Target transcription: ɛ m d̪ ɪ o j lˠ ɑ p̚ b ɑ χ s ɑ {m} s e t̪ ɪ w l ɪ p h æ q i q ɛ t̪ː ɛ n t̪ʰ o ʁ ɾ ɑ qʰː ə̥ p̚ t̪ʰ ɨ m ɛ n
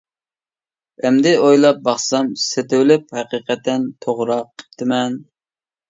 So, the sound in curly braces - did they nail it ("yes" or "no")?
yes